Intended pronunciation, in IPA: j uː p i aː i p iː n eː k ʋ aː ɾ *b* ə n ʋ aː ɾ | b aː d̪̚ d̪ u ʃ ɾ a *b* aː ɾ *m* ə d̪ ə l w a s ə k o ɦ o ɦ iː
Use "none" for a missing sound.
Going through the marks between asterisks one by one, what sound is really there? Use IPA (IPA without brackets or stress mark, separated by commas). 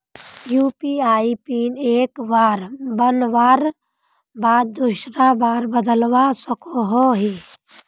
b, b, b